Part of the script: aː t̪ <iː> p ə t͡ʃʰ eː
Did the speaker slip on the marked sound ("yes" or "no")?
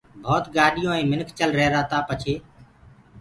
yes